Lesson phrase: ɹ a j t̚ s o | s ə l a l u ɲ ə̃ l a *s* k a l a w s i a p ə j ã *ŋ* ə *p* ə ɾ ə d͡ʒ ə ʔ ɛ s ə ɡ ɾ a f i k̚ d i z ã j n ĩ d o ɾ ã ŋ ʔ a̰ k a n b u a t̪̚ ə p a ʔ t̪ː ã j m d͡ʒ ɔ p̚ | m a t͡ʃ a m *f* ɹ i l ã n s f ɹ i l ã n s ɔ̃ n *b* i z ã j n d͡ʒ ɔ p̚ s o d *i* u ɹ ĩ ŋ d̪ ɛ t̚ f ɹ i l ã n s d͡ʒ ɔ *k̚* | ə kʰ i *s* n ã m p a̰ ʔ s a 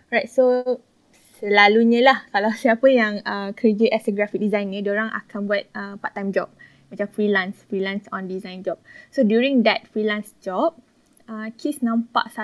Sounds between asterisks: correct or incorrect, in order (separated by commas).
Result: incorrect, correct, incorrect, correct, incorrect, incorrect, incorrect, correct